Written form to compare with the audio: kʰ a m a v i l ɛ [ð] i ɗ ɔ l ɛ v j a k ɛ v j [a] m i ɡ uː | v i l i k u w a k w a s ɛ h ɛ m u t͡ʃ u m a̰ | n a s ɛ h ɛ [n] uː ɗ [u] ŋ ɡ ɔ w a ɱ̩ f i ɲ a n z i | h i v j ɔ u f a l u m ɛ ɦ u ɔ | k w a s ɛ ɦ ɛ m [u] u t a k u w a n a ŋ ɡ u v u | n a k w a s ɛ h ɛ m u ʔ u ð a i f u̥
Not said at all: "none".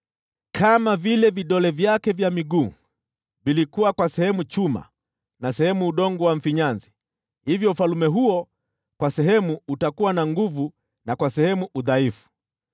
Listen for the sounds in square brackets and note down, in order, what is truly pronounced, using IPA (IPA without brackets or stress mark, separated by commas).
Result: v, a, m, ɔ, u